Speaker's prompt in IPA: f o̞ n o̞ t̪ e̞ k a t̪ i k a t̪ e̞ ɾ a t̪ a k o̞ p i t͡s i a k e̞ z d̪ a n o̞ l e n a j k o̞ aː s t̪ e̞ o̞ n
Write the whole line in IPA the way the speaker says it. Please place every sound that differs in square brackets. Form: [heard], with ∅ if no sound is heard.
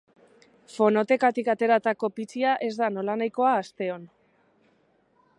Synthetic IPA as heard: f o̞ n o̞ t̪ e̞ k a t̪ i k a t̪ e̞ ɾ a t̪ a k o̞ p i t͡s i a [ʔ] e̞ z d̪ a n o̞ l [a] n a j k o̞ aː s t̪ e̞ o̞ n